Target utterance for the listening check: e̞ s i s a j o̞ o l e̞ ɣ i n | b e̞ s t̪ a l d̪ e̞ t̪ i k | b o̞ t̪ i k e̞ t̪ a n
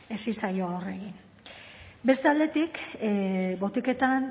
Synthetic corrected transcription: e̞ s i s a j o̞ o r e̞ ɣ i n | b e̞ s t̪ a l d̪ e̞ t̪ i k | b o̞ t̪ i k e̞ t̪ a n

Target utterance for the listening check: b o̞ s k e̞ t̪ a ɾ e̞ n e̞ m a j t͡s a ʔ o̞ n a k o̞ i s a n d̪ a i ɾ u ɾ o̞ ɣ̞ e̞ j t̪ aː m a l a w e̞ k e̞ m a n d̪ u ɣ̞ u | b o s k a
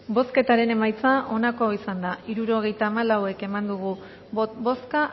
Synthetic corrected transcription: b o̞ s k e̞ t̪ a ɾ e̞ n e̞ m a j t͡s a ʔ o̞ n a k o̞ i s a n d̪ a i ɾ u ɾ o̞ ɣ̞ e̞ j t̪ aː m a l a w e̞ k e̞ m a n d̪ u ɣ̞ u | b o s k a

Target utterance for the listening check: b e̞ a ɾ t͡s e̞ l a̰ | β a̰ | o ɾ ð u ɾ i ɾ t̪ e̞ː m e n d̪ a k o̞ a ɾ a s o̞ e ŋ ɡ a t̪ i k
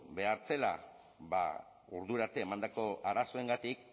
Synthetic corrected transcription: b e̞ a ɾ t͡s e̞ l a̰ | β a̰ | u ɾ ð u ɾ a ɾ t̪ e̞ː m a n d̪ a k o̞ a ɾ a s o̞ e ŋ ɡ a t̪ i k

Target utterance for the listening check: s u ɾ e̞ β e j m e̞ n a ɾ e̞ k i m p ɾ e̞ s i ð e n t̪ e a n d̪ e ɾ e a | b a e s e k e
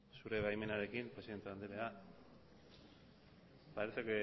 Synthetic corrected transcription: s u ɾ e̞ β a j m e̞ n a ɾ e̞ k i m p ɾ e̞ s i ð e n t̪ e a n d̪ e ɾ e a | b a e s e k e

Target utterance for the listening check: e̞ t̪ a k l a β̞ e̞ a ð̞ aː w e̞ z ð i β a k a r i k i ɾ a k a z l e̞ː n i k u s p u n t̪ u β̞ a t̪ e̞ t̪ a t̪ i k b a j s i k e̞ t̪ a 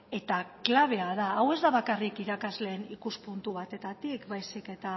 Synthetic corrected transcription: e̞ t̪ a k l a β̞ e̞ a ð̞ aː w e̞ z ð a β a k a r i k i ɾ a k a z l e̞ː n i k u s p u n t̪ u β̞ a t̪ e̞ t̪ a t̪ i k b a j s i k e̞ t̪ a

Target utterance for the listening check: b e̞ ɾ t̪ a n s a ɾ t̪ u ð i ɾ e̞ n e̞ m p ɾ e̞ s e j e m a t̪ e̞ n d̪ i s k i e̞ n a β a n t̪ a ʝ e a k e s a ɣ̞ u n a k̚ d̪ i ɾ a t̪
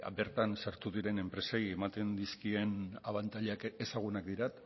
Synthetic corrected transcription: b e̞ ɾ t̪ a n s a ɾ t̪ u ð i ɾ e̞ n e̞ m p ɾ e̞ s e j e m a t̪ e̞ n d̪ i s k i e̞ n a β a n t̪ a ʎ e a k e s a ɣ̞ u n a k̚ d̪ i ɾ a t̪

